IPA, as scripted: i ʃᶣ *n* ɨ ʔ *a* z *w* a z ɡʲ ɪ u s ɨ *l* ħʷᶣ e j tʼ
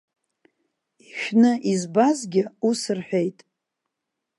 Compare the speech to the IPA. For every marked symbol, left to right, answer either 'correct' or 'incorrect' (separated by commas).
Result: correct, incorrect, incorrect, incorrect